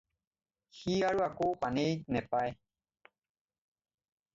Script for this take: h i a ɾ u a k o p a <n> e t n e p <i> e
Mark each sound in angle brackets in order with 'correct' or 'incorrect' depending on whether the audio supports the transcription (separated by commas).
correct, incorrect